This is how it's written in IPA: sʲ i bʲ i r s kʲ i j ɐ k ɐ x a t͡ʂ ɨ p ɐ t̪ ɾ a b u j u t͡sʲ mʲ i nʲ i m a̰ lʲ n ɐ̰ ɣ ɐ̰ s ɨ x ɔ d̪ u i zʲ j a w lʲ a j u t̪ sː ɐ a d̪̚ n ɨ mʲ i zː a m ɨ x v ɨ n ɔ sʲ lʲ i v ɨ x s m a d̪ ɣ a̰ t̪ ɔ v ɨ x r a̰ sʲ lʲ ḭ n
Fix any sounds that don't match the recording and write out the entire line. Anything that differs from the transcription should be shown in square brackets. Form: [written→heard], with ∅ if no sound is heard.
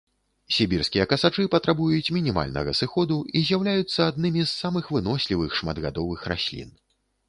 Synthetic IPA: sʲ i bʲ i r s kʲ i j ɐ k ɐ [x→s] a t͡ʂ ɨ p ɐ t̪ ɾ a b u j u t͡sʲ mʲ i nʲ i m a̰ lʲ n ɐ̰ ɣ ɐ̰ s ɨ x ɔ d̪ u i zʲ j a w lʲ a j u t̪ sː ɐ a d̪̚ n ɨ mʲ i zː a m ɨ x v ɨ n ɔ sʲ lʲ i v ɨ x [s→ʂ] m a d̪ ɣ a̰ [t̪→d̪] ɔ v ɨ x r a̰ sʲ lʲ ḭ n

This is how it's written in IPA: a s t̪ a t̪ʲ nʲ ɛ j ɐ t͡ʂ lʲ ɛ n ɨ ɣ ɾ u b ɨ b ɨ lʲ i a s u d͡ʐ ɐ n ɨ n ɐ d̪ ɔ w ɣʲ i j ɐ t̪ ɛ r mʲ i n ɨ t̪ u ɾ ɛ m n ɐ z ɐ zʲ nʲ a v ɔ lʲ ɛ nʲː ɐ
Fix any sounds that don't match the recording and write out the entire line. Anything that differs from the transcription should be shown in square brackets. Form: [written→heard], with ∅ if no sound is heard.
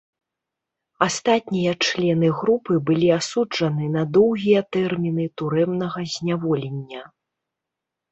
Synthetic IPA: a s t̪ a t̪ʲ nʲ [ɛ→i] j ɐ t͡ʂ lʲ ɛ n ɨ ɣ ɾ u [b→p] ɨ b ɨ lʲ i a s u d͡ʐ ɐ n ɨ n ɐ d̪ ɔ w ɣʲ i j ɐ t̪ ɛ r mʲ i n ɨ t̪ u ɾ ɛ m n ɐ [z→ɣ] ɐ zʲ nʲ a v ɔ lʲ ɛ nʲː ɐ

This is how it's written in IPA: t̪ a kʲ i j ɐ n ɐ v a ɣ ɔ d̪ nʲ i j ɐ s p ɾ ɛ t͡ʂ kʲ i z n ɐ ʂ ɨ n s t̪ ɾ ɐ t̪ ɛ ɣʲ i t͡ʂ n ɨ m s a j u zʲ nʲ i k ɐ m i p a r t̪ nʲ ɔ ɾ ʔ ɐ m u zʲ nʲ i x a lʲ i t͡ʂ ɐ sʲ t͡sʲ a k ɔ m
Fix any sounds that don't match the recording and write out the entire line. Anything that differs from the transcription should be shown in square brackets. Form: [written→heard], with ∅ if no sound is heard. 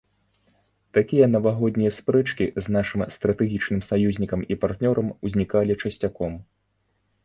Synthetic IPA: t̪ a kʲ i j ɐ n ɐ v a ɣ ɔ d̪ nʲ i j ɐ s p ɾ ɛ t͡ʂ kʲ i z n [ɐ→a] ʂ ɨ [n→m] s t̪ ɾ ɐ t̪ ɛ ɣʲ i t͡ʂ n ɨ m s a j u zʲ nʲ i k ɐ m i p a r t̪ nʲ ɔ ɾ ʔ ɐ m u zʲ nʲ i [x→k] a lʲ i t͡ʂ ɐ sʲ t͡sʲ a k ɔ m

